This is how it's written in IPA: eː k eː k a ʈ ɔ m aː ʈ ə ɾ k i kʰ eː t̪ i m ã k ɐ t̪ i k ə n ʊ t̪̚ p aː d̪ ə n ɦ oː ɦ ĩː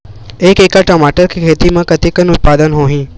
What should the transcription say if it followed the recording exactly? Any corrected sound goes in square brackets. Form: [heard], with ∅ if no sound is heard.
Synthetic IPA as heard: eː k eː k a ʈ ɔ m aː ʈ ə ɾ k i kʰ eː t̪ i m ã k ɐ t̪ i k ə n ʊ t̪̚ p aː d̪ ə n ɦ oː ɦ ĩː

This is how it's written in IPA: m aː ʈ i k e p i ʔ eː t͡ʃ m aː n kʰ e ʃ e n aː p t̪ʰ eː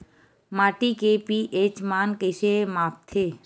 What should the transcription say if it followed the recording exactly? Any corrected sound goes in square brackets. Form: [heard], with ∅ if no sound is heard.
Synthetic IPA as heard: m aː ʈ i k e p i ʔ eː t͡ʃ m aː n [k] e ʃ e [m] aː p t̪ʰ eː

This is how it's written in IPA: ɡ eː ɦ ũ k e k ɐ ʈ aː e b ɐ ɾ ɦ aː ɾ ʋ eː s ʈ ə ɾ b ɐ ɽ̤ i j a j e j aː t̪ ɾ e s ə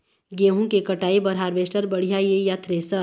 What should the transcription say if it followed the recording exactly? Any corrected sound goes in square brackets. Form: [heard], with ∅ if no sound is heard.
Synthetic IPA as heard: ɡ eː ɦ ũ k e k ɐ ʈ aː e b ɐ ɾ ɦ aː ɾ ʋ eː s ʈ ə ɾ b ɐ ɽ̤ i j a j e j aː t̪ ɾ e s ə

